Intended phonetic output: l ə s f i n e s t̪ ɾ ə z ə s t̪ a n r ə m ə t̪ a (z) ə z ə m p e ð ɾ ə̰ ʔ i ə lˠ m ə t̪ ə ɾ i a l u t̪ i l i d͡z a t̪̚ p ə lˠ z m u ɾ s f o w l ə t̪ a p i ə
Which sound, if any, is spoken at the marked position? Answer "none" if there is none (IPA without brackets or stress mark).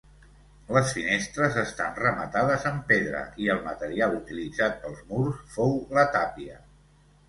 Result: ð